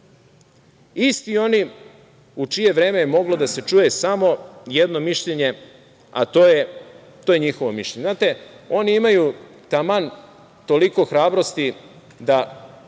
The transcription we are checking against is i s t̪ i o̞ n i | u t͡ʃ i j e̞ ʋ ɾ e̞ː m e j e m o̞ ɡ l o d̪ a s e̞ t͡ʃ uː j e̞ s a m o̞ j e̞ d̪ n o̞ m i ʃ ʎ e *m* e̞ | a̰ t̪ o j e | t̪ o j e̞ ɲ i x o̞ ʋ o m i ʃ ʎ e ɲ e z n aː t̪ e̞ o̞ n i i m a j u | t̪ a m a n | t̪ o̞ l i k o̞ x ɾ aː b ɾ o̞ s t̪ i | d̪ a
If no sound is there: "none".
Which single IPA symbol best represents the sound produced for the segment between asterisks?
ɲ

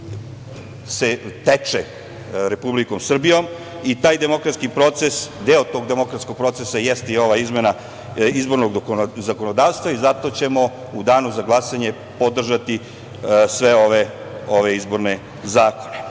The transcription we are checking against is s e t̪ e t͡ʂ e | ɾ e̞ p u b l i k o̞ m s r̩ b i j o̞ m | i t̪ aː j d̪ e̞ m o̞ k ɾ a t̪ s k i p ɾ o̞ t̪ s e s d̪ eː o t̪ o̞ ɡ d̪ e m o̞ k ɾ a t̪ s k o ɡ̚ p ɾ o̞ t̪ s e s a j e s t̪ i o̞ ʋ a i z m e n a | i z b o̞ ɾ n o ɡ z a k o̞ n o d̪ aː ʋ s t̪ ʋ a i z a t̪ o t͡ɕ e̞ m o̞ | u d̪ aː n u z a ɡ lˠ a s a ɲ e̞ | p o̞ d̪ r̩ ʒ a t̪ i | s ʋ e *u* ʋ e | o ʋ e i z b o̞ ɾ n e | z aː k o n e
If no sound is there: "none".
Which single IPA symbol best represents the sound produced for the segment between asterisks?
o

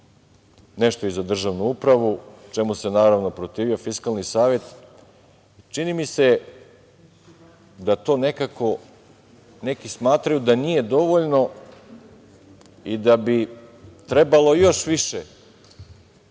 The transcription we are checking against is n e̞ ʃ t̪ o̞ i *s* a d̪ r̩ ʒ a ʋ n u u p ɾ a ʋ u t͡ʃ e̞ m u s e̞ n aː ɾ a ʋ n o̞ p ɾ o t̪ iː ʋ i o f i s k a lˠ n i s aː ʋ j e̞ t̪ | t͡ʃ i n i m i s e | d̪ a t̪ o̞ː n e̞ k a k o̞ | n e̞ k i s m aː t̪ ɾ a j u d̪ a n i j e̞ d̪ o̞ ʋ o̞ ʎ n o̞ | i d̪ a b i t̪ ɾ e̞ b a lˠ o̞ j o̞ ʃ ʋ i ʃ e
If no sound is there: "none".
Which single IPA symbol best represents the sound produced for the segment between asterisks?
z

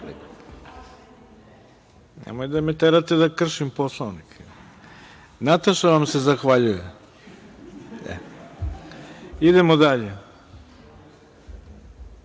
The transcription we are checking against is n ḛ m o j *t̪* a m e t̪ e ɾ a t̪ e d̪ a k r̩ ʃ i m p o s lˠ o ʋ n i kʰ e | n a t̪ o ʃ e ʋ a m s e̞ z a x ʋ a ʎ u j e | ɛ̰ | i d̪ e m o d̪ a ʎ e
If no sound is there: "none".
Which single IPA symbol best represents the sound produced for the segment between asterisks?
d̪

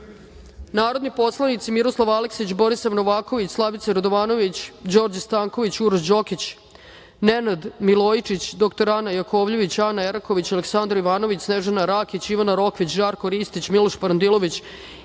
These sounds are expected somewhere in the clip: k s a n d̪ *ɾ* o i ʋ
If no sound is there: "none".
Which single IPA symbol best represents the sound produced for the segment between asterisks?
ɾ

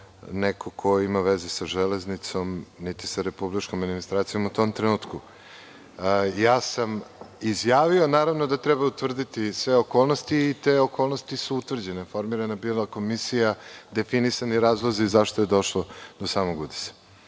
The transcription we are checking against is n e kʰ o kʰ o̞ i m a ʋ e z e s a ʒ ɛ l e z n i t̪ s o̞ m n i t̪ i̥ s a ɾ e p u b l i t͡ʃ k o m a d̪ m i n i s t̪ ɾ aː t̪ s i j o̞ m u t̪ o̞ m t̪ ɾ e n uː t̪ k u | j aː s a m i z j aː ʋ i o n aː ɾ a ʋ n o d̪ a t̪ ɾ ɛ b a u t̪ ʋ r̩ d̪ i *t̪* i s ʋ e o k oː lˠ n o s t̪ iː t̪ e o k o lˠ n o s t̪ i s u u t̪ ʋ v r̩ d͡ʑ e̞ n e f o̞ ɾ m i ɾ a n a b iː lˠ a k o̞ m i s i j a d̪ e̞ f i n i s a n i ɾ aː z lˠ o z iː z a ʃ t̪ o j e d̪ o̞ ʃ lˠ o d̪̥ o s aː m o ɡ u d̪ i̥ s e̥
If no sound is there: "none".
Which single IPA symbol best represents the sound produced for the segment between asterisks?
t̪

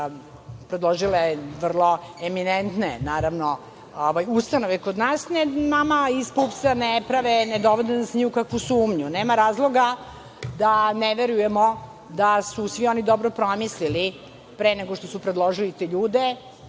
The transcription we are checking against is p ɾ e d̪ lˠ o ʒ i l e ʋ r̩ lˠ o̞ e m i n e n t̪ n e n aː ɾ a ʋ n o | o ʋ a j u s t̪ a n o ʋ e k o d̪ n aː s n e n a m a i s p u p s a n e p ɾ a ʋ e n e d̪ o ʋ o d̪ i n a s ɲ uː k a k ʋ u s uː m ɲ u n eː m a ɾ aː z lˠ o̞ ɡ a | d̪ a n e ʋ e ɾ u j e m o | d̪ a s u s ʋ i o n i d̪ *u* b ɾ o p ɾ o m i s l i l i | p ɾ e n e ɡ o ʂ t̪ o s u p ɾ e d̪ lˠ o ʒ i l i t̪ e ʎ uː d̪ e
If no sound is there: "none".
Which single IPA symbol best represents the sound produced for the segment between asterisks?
o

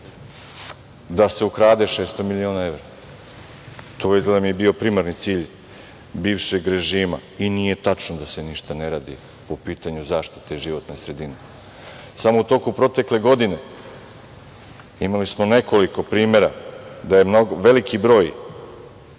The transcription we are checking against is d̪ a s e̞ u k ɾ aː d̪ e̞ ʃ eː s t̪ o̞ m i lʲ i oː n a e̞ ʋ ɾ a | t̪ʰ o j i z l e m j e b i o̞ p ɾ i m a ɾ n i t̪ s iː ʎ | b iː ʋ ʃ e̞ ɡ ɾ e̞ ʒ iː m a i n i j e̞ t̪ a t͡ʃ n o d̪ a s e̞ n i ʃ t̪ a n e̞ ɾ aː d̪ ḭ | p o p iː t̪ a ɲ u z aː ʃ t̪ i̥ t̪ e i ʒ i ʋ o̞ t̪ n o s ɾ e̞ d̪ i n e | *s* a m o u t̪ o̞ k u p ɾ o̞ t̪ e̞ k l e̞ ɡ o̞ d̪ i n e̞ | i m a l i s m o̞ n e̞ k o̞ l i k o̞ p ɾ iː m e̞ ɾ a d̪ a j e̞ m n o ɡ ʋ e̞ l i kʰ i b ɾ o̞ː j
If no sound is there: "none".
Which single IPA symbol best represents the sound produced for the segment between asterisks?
s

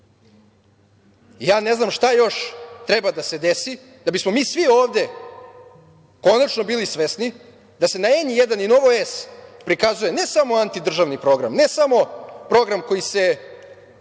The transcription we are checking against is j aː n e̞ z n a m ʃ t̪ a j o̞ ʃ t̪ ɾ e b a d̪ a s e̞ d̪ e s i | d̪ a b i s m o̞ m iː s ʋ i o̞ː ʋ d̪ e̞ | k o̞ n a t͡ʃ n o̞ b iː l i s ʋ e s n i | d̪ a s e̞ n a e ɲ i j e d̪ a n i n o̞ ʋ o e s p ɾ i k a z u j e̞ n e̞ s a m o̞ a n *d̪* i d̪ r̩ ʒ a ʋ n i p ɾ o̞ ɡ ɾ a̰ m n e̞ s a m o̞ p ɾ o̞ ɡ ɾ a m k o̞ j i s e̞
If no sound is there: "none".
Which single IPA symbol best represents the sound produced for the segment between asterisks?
t̪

